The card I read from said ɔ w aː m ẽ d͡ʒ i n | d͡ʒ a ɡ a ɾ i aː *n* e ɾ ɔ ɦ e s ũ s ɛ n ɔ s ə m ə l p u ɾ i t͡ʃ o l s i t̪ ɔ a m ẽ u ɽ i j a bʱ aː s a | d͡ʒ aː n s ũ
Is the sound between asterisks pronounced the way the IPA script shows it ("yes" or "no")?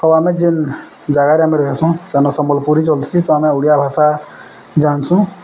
no